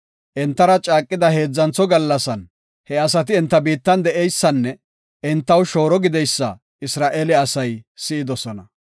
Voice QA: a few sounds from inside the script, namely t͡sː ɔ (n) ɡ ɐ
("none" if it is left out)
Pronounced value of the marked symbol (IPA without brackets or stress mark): none